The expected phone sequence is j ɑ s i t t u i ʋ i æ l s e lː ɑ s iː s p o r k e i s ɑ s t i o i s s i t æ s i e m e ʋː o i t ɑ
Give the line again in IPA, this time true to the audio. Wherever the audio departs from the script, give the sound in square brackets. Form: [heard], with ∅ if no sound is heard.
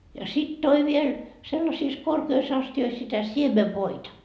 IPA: j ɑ s i t t [o] i ʋ i [e] l s e lː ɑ s iː s [k] o r k e i s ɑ s t i o i s s i t æ s i e m e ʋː o i t ɑ

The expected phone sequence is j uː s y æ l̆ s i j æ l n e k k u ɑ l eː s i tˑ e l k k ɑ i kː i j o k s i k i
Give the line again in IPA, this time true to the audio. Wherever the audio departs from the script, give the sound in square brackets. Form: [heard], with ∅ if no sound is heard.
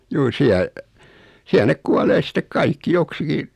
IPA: j uː s [i] æ l̆ s i [∅] æ l n e k k u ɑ l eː s i tˑ e [∅] k k ɑ i kː i j o k s i k i

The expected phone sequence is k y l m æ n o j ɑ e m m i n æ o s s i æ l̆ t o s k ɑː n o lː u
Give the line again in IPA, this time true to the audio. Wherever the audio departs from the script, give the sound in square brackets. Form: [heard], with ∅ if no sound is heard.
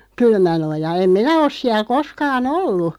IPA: k y l m æ n o j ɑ e m m i n æ o s s i æ l̆ [k] o s k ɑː n o lː u

